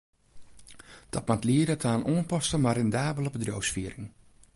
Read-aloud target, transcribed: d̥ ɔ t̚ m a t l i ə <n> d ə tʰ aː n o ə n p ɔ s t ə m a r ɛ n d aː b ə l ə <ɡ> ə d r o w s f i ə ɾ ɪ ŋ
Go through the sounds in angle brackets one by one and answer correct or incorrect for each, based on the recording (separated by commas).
incorrect, incorrect